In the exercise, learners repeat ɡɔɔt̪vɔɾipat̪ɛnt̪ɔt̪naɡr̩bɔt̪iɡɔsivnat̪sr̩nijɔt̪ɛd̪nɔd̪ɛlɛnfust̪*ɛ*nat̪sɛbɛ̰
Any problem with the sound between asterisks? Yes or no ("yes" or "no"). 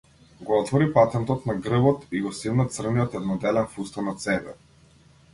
yes